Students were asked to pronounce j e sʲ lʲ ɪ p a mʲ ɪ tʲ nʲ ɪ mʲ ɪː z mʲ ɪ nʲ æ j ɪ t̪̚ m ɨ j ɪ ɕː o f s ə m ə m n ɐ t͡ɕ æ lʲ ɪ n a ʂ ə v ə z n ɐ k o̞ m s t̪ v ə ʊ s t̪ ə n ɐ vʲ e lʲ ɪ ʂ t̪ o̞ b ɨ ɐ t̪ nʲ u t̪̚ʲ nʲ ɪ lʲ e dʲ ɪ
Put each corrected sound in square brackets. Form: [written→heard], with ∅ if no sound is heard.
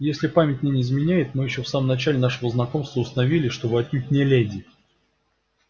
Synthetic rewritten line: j e sʲ lʲ ɪ p a mʲ ɪ tʲ nʲ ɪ [mʲ→nʲ] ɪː z mʲ ɪ nʲ æ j ɪ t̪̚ m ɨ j ɪ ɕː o f s [ə→a] m ə m n ɐ t͡ɕ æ lʲ ɪ n a ʂ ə v ə z n ɐ k o̞ m s t̪ v ə ʊ s t̪ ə n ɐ vʲ [e→i] lʲ ɪ ʂ t̪ o̞ b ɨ ɐ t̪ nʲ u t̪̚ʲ nʲ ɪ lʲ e dʲ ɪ